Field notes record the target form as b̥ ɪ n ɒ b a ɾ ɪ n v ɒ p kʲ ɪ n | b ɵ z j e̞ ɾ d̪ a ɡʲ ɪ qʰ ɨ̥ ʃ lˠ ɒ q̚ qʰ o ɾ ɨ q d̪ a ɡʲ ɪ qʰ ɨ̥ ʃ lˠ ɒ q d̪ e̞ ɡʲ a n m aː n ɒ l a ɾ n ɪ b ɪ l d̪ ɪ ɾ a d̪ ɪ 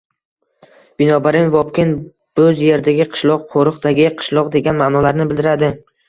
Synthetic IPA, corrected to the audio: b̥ ɪ n ɒ b a ɾ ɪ n v ɒ p kʲ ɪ n | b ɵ z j e̞ ɾ d̪ a ɡʲ ɪ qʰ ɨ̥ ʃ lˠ ɒ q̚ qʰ o ɾ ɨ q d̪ a ɡʲ ɪ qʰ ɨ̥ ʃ lˠ ɒ q d̪ e̞ ɡʲ a n m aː n ɒ l a ɾ n ɪ b ɪ l d̪ ɪ ɾ a d̪ ɪ